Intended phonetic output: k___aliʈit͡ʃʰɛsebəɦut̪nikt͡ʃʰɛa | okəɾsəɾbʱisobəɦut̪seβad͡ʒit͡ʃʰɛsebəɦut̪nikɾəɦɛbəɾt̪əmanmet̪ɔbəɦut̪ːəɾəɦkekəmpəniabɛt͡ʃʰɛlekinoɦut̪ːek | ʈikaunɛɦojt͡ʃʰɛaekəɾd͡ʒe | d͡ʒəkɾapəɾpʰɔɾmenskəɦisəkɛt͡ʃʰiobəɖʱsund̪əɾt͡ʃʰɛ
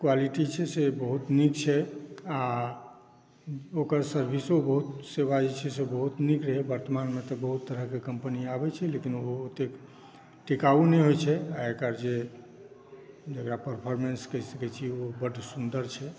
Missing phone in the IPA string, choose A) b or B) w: B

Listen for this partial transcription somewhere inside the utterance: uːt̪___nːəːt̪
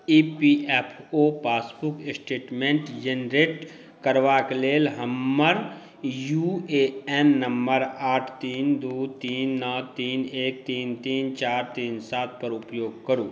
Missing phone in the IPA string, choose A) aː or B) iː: B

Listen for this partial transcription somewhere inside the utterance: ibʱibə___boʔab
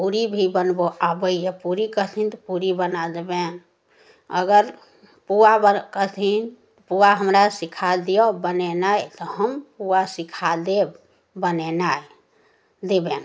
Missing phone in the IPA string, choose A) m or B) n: B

